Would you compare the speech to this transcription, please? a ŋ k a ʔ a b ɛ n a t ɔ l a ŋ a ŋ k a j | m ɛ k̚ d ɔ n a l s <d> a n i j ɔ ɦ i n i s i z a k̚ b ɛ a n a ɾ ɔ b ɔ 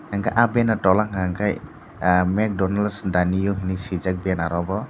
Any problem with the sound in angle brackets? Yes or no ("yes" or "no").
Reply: no